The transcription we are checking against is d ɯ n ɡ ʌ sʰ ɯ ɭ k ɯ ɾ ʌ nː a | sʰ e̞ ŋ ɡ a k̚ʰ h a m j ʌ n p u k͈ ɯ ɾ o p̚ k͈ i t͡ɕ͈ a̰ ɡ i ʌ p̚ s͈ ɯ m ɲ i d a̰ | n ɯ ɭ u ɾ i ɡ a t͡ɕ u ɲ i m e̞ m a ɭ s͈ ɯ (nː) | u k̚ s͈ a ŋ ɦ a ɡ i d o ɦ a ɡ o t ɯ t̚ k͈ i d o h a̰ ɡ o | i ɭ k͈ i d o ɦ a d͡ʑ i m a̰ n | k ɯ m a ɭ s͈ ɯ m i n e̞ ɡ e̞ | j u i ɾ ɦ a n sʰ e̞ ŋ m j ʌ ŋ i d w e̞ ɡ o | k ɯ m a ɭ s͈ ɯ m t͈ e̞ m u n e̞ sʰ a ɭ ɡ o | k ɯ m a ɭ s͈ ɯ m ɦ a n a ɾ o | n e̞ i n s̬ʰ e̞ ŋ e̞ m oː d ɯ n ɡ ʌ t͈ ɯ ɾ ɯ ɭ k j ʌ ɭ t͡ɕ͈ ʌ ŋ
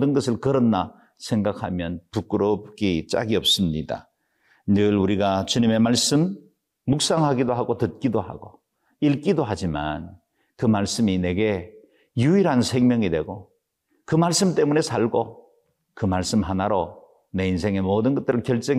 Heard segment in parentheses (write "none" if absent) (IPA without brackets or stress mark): mː